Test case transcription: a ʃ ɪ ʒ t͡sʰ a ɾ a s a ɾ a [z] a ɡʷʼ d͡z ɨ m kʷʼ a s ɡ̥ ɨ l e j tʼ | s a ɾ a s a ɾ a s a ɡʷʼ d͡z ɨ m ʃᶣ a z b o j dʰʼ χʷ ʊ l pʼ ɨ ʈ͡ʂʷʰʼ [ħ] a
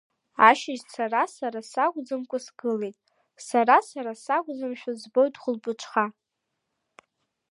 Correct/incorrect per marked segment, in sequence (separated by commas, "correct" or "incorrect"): incorrect, incorrect